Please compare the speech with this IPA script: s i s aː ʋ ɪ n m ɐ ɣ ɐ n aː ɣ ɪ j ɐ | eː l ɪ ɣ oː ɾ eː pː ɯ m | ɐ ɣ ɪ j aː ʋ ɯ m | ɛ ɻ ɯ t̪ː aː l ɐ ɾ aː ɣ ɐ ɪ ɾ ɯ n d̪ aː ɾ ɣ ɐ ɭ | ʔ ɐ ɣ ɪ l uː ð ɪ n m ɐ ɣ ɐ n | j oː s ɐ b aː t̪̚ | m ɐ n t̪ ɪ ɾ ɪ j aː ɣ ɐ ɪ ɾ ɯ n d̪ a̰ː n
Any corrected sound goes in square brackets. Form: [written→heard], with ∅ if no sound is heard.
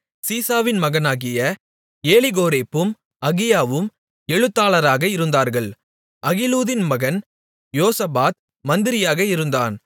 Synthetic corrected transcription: s [i→iː] s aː ʋ ɪ n m ɐ ɣ ɐ n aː ɣ ɪ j ɐ | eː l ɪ ɣ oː ɾ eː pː ɯ m | ɐ ɣ ɪ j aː ʋ ɯ m | ɛ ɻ ɯ t̪ː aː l ɐ ɾ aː ɣ ɐ ɪ ɾ ɯ n d̪ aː ɾ ɣ ɐ ɭ | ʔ ɐ ɣ ɪ l uː ð ɪ n m ɐ ɣ ɐ n | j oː s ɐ b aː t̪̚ | m ɐ n [t̪→d̪] ɪ ɾ ɪ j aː ɣ ɐ ɪ ɾ ɯ n d̪ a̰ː n

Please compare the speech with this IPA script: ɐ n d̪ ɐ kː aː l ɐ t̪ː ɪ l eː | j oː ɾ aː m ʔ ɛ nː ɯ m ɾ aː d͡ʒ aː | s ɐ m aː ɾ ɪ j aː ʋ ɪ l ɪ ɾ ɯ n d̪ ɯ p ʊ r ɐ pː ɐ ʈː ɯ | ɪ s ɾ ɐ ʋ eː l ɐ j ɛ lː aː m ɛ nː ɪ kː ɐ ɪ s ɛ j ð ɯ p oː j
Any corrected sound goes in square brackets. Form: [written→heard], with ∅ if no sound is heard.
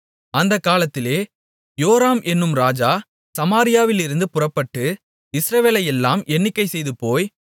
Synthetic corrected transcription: ɐ n d̪ ɐ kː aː l ɐ t̪ː ɪ l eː | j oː ɾ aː m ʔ ɛ nː ɯ m ɾ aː d͡ʒ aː | s ɐ m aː ɾ ɪ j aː ʋ ɪ l ɪ ɾ ɯ n d̪ ɯ p ʊ r ɐ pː ɐ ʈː ɯ | ɪ s ɾ ɐ ʋ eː l ɐ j ɛ lː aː m ɛ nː ɪ kː ɐ ɪ s ɛ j ð ɯ p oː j

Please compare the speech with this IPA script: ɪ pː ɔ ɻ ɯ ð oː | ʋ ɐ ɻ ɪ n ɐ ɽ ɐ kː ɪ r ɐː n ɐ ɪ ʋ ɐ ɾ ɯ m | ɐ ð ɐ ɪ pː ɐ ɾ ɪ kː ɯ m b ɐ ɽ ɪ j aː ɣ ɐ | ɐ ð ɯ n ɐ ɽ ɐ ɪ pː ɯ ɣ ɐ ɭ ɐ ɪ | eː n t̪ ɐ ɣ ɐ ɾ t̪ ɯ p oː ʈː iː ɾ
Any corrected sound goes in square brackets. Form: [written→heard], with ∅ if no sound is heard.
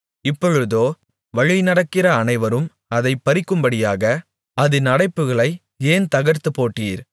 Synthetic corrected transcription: ɪ pː ɔ ɻ ɯ ð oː | ʋ ɐ ɻ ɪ n ɐ ɽ ɐ kː ɪ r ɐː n ɐ ɪ ʋ ɐ ɾ ɯ m | ɐ ð ɐ ɪ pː ɐ ɾ ɪ kː ɯ m b ɐ ɽ ɪ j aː ɣ ɐ | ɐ ð ɯ n ɐ ɽ ɐ ɪ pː ɯ ɣ ɐ ɭ ɐ ɪ | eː n t̪ ɐ ɣ ɐ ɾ t̪ ɯ p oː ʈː iː ɾ

